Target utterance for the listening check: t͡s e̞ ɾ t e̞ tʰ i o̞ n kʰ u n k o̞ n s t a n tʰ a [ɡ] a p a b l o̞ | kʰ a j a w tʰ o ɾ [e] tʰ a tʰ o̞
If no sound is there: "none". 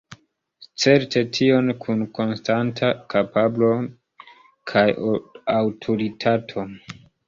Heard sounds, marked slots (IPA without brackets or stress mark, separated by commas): k, i